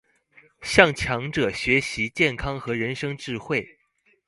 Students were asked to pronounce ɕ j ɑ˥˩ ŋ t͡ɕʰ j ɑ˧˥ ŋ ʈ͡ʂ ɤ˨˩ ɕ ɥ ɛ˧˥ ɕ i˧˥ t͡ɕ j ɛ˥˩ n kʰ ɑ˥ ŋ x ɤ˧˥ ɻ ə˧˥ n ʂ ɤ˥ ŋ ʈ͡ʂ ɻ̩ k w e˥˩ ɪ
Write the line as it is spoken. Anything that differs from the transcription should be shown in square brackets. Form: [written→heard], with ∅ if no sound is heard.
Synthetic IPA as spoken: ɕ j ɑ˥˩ ŋ t͡ɕʰ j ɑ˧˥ ŋ ʈ͡ʂ ɤ˨˩ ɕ ɥ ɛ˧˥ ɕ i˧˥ t͡ɕ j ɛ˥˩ n kʰ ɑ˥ ŋ x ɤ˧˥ ɻ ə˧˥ n ʂ ɤ˥ ŋ ʈ͡ʂ ɻ̩ [k→x] w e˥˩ ɪ